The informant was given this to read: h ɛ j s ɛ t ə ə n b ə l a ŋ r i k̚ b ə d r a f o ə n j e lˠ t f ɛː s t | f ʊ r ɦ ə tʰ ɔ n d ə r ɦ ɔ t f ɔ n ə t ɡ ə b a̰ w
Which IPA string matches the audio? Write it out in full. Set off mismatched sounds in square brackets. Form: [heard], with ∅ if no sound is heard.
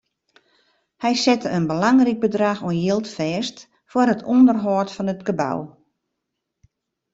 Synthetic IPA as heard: h ɛ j s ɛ t ə ə n b ə l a ŋ r i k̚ b ə d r a [x] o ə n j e lˠ t f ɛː s t | f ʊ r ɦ ə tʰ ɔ n d ə r ɦ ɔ t f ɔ n ə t ɡ ə b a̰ w